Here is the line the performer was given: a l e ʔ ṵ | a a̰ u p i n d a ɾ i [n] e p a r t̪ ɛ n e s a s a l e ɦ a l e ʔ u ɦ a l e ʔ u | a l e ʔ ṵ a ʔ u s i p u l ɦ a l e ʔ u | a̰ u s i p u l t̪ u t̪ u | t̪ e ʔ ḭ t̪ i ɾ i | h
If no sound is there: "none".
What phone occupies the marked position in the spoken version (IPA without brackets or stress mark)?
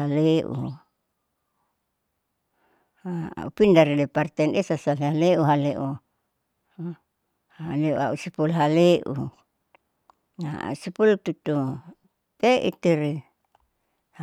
d